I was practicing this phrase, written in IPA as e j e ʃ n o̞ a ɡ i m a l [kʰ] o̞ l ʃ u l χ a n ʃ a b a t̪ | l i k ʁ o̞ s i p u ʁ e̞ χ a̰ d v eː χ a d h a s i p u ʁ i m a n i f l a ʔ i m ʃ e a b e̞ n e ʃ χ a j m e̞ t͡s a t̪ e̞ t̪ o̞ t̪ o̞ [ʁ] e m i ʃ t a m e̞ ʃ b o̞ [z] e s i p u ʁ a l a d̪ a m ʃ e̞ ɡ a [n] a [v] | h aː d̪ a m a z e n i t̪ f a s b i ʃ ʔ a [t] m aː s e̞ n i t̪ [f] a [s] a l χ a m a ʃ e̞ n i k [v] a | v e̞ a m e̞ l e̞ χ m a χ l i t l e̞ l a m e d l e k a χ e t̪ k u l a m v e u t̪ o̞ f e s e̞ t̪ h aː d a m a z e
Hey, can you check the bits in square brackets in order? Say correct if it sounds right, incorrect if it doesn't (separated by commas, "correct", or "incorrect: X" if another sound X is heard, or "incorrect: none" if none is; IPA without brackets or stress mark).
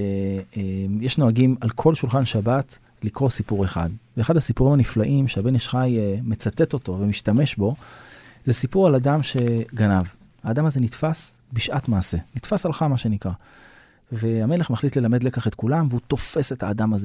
correct, incorrect: v, correct, correct, correct, correct, correct, correct, incorrect: ʁ